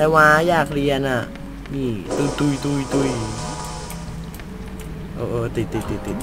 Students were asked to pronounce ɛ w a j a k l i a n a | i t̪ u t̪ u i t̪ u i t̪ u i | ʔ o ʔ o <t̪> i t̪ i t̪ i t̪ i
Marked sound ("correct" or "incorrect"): correct